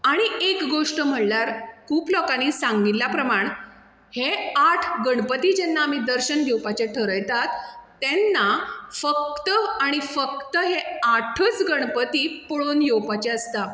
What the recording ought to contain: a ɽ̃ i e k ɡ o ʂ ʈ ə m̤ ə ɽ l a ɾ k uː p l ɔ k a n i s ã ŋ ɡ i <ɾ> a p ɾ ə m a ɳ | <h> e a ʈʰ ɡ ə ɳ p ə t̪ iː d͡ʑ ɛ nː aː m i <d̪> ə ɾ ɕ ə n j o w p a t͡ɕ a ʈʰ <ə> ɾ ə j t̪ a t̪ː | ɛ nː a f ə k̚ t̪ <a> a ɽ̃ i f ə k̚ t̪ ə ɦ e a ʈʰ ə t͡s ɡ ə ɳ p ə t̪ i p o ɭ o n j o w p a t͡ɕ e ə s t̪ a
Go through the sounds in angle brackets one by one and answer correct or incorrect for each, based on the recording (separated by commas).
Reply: incorrect, correct, correct, correct, incorrect